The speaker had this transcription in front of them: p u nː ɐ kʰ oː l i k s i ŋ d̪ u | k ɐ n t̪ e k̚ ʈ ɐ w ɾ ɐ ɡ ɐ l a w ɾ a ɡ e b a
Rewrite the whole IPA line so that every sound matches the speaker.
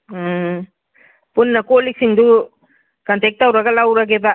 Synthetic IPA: p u nː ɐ k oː l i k s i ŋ d̪ u | k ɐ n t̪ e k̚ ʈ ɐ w ɾ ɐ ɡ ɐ l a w ɾ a ɡ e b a